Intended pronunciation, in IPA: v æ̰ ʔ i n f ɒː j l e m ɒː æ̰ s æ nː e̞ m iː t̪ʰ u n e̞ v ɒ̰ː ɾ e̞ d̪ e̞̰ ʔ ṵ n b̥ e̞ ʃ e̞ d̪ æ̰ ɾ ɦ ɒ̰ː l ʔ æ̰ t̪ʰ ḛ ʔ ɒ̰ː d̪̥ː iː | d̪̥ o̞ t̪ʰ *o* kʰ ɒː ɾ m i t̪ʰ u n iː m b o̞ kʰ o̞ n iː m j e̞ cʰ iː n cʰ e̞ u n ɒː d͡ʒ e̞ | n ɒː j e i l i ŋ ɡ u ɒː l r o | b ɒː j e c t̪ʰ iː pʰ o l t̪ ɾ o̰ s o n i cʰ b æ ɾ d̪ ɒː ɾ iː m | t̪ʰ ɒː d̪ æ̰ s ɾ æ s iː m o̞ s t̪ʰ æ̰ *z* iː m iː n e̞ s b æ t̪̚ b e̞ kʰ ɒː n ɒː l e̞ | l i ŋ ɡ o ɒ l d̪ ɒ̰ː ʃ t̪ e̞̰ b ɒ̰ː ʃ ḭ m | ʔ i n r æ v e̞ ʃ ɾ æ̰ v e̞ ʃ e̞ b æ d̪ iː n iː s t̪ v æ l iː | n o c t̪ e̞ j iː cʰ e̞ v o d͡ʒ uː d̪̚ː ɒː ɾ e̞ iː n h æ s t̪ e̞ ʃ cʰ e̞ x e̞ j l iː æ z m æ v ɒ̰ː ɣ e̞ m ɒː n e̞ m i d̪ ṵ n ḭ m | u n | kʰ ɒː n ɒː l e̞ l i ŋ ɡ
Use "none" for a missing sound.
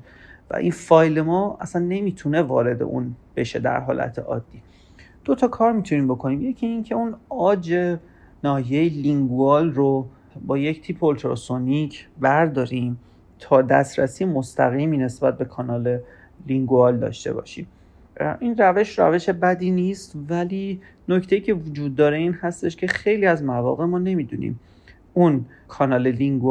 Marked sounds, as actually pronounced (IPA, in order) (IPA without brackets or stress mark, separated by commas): ɒ, ɣ